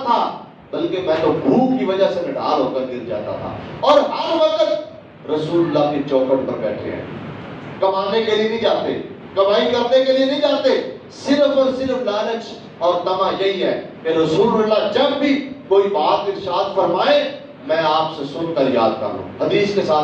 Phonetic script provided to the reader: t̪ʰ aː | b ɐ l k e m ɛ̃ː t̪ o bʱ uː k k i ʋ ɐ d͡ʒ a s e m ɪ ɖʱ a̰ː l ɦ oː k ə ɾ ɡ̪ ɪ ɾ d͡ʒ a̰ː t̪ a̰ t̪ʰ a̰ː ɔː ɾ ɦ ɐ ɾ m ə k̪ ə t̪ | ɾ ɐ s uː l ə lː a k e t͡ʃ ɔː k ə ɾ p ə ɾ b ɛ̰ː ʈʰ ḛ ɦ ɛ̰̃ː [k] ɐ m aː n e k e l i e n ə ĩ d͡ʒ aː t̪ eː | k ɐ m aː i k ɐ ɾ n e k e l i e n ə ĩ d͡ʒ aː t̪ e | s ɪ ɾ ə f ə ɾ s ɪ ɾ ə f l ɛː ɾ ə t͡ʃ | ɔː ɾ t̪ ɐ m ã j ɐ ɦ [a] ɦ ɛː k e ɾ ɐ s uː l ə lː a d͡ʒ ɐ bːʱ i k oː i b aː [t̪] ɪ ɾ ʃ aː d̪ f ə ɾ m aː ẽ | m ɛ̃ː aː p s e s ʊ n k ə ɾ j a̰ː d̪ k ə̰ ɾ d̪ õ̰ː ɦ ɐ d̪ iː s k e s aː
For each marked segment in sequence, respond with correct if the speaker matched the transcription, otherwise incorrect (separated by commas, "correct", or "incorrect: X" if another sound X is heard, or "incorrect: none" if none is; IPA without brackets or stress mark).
correct, incorrect: i, correct